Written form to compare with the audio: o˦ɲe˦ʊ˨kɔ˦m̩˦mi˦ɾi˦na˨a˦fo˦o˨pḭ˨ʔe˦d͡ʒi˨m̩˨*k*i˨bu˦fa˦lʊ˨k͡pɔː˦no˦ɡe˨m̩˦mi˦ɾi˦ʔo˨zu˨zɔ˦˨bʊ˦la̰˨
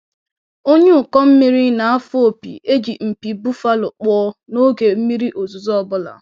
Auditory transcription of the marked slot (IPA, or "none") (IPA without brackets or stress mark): p